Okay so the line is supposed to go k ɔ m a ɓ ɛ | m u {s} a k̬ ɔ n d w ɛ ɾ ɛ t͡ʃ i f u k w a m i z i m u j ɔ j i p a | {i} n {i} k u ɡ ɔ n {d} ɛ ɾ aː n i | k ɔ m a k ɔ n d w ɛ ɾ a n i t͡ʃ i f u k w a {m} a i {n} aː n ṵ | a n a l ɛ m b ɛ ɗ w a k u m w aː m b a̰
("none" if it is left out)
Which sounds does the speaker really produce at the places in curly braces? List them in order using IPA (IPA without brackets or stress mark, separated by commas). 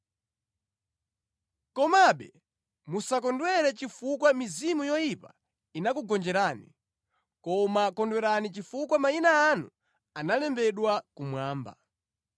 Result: s, i, a, d͡ʒ, m, n